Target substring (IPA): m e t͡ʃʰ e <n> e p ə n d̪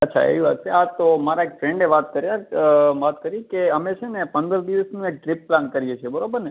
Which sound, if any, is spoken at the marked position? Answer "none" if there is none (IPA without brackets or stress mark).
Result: n